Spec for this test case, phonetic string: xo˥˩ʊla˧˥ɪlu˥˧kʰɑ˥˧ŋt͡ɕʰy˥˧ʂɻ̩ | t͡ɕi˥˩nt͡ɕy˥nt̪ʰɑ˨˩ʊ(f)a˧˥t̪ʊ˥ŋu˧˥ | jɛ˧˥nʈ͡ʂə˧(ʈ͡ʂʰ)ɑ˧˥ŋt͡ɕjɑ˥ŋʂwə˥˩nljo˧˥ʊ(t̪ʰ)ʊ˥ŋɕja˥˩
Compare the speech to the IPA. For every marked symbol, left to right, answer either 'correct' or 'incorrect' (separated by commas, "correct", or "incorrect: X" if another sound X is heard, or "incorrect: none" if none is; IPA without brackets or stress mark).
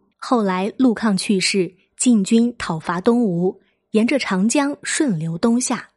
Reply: correct, correct, incorrect: t̪